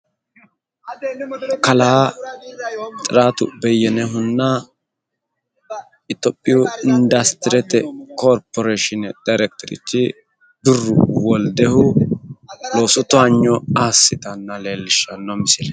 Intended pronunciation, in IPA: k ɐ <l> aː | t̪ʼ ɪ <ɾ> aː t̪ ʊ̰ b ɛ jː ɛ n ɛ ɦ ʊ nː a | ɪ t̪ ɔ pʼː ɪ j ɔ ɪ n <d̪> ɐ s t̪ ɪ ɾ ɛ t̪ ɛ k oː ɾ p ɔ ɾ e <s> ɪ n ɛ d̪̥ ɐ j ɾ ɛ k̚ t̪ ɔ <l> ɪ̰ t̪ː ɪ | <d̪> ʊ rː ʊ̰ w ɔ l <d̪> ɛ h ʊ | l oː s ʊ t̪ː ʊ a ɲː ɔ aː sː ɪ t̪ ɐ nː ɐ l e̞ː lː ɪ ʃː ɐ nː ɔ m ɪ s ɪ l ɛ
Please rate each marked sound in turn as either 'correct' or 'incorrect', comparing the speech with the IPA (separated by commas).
correct, correct, correct, incorrect, incorrect, correct, correct